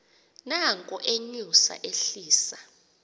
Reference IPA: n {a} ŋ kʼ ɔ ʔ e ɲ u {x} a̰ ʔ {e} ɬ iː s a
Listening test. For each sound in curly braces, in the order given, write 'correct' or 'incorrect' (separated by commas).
correct, incorrect, correct